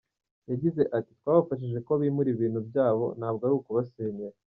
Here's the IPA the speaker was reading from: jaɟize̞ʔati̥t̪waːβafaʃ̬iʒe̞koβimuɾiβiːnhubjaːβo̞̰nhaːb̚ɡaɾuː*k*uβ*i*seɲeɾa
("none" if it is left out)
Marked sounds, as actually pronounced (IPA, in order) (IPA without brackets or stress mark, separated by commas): k, a